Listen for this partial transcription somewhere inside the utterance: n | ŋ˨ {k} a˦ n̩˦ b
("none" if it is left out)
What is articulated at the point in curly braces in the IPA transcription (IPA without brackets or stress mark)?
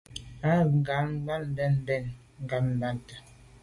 ɡ